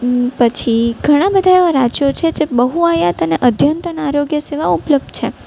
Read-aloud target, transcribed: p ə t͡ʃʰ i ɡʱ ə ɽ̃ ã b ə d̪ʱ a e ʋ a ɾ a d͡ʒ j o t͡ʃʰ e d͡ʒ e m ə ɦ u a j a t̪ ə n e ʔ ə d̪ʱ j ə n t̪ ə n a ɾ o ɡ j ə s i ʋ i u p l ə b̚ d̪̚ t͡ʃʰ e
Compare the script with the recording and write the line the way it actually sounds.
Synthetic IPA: p ə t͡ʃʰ i ɡʱ ə ɽ̃ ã b ə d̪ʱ a e ʋ a ɾ a d͡ʒ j o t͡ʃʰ e d͡ʒ e b ə ɦ u a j a t̪ ə n e ʔ ə d̪ʱ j ə n t̪ ə n a ɾ o ɡ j ə s e ʋ a u p l ə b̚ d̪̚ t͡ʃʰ e